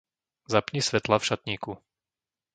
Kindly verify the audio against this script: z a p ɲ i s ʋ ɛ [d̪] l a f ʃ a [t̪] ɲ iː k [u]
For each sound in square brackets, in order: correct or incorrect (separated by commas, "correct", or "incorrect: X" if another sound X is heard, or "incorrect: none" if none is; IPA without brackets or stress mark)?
incorrect: t̪, correct, correct